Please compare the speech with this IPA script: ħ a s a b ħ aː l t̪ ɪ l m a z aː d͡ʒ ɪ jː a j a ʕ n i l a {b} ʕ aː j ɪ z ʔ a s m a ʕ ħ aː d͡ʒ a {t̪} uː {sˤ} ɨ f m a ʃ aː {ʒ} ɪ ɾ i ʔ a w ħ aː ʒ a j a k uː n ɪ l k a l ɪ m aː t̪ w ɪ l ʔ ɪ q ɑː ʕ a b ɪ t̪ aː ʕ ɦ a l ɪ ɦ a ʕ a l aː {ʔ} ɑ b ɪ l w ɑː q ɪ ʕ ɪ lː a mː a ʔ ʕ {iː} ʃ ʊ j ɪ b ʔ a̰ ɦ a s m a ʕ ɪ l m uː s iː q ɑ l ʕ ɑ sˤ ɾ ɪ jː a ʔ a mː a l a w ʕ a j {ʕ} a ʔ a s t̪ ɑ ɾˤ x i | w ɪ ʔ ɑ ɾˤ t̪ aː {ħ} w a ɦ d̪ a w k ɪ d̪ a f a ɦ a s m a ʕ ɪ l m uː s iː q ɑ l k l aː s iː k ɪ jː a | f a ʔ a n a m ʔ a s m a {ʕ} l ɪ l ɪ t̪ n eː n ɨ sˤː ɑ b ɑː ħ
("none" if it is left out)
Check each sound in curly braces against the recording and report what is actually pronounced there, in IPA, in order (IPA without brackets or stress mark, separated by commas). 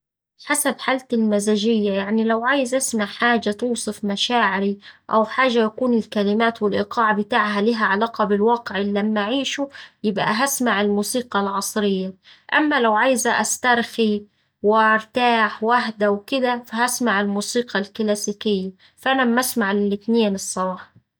w, t̪, sˤ, ʕ, q, iː, z, ħ, ʕ